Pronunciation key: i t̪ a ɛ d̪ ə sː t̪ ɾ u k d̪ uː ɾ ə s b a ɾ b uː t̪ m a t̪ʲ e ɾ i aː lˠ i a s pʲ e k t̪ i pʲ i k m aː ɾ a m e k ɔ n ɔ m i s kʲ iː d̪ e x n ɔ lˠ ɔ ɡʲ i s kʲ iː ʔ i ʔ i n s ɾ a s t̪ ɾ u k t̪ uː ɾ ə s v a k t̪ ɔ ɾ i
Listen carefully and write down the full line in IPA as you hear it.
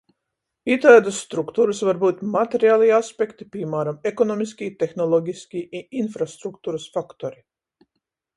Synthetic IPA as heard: i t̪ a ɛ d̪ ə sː t̪ ɾ u k t̪ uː ɾ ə s v a ɾ b uː t̪ m a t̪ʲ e ɾ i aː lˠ i a s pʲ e k t̪ i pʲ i m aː ɾ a m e k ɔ n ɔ m i s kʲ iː t̪ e x n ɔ lˠ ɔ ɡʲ i s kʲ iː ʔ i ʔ i n f ɾ a s t̪ ɾ u k t̪ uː ɾ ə s f a k t̪ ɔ ɾ i

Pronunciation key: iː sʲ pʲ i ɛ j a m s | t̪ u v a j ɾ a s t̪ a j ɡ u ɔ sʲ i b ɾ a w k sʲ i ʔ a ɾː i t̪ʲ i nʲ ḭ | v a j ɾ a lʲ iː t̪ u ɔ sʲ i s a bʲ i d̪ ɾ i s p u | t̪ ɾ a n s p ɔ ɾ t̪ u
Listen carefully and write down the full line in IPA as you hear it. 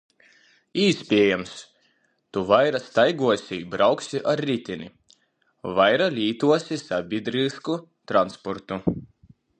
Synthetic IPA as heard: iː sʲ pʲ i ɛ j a m s | t̪ u v a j ɾ a s t̪ a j ɡ u ɔ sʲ i b ɾ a w k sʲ i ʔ a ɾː i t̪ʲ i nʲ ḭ | v a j ɾ a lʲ iː t̪ u ɔ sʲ i s a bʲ i d̪ ɾ i s k u | t̪ ɾ a n s p ɔ ɾ t̪ u

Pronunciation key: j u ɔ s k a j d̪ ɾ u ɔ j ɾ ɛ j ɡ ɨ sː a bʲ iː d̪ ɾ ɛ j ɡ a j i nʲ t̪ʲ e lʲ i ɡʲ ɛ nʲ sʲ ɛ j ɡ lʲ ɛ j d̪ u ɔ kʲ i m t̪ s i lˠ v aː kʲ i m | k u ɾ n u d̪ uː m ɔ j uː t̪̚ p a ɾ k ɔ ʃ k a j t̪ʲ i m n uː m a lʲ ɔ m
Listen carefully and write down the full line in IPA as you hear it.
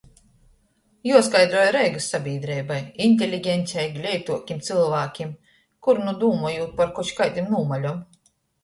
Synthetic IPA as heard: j u ɔ s k a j d̪ ɾ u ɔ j ɾ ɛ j ɡ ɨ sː a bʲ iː d̪ ɾ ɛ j b a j i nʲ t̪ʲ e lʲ i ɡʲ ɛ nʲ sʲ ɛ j ɡ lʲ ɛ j t̪ u ɔ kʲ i m t̪ s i lˠ v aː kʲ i m | k u ɾ n u d̪ uː m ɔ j uː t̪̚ p a ɾ k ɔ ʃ k a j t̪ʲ i m n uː m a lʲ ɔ m

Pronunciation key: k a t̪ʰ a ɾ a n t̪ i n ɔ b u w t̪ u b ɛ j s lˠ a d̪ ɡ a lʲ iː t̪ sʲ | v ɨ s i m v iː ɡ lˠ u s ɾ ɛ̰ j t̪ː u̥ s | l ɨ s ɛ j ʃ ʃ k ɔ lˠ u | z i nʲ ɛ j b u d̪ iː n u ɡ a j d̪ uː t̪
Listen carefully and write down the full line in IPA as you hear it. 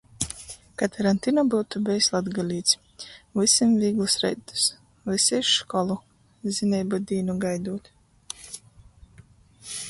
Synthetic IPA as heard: k a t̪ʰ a ɾ a n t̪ i n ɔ b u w t̪ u b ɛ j s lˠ a d̪ ɡ a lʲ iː t̪ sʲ | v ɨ s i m v iː ɡ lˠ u s ɾ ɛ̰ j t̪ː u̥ s | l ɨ s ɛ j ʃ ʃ k ɔ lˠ u | z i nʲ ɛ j b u d̪ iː n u ɡ a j d̪ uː t̪

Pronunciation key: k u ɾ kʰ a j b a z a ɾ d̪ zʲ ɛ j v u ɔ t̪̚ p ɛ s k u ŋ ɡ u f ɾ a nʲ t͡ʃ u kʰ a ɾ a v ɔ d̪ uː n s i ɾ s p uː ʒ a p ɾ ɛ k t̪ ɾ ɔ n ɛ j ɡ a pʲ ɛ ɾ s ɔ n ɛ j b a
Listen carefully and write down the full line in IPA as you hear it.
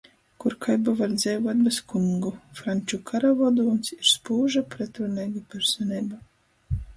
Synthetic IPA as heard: k u ɾ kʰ a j b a v a ɾ d̪ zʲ ɛ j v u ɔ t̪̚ b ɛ s k u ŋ ɡ u f ɾ a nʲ t͡ʃ u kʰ a ɾ a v ɔ d̪ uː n s i ɾ s p uː ʒ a p ɾ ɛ t̪ ɾ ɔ n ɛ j ɡ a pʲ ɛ ɾ s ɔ n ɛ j b a

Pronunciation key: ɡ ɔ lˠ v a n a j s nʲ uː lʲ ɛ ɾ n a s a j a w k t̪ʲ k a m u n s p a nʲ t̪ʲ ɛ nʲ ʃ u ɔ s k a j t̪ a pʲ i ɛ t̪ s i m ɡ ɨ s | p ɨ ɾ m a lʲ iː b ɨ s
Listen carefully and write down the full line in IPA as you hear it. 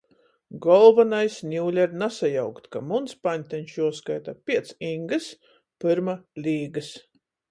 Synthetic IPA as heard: ɡ ɔ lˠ v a n a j s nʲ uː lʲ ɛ ɾ n a s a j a w k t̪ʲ k a m u n s p a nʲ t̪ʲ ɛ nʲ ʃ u ɔ s k a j t̪ a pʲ i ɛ t̪ s i ŋ ɡ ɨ s | p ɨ ɾ m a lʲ iː ɡ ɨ s

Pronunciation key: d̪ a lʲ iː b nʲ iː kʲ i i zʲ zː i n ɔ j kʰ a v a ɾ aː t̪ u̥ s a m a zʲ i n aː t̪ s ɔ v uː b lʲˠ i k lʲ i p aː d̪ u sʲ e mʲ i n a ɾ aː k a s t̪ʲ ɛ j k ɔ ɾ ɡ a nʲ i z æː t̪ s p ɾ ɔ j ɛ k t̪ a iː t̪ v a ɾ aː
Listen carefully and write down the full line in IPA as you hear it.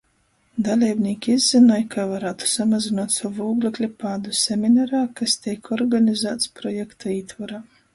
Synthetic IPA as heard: d̪ a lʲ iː b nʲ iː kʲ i i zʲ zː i n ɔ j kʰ a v a ɾ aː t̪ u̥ s a m a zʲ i n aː t̪ s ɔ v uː ɡ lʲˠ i k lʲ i p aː d̪ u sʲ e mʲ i n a ɾ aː k a s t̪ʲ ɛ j k ɔ ɾ ɡ a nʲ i z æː t̪ s p ɾ ɔ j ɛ k t̪ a iː t̪ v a ɾ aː

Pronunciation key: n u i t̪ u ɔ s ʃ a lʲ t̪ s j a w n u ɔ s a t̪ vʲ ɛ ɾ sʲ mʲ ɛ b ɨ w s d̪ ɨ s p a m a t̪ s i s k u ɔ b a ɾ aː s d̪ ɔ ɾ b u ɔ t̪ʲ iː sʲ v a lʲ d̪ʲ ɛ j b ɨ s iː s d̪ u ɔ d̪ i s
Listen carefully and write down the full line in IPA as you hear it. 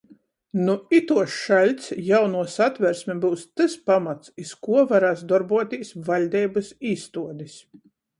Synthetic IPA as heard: n u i t̪ u ɔ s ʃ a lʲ t̪ s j a w n u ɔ s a t̪ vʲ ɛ ɾ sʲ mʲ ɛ b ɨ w s t̪ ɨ s p a m a t̪ s i s k u ɔ v a ɾ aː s d̪ ɔ ɾ b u ɔ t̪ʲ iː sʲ v a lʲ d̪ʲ ɛ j b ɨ s iː s t̪ u ɔ d̪ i s

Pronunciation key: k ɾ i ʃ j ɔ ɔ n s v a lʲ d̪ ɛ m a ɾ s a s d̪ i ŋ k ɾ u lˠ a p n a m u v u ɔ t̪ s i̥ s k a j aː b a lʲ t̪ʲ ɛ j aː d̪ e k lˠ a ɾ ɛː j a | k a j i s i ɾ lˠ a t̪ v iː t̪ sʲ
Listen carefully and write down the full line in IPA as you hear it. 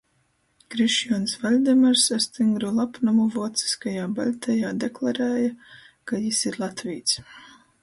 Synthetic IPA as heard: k ɾ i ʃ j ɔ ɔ n s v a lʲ d̪ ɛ m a ɾ s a s t̪ i ŋ ɡ ɾ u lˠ a p n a m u v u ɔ t̪ s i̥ s k a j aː b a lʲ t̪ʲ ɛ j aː d̪ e k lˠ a ɾ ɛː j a | k a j i s i ɾ lˠ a t̪ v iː t̪ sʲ

